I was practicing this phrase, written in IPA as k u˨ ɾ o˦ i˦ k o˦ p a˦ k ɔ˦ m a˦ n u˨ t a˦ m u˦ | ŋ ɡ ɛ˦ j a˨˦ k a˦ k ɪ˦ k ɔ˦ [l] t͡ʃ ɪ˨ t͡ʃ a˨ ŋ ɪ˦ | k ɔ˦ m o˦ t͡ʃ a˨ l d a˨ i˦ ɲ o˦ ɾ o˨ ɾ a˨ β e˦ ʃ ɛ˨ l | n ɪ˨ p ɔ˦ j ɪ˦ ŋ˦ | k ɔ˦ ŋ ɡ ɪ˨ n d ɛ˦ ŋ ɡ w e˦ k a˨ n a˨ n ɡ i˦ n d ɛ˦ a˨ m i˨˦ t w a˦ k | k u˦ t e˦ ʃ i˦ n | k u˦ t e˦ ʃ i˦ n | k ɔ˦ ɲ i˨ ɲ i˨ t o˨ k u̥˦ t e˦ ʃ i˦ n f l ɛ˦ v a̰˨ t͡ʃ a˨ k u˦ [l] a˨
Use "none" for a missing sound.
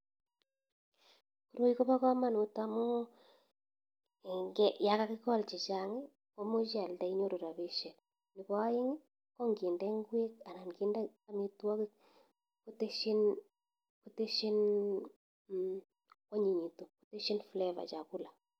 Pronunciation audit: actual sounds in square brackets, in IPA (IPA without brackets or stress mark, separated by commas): l, l